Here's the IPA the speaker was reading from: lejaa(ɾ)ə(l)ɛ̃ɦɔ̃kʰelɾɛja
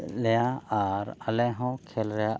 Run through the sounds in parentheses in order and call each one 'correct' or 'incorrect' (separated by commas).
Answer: correct, correct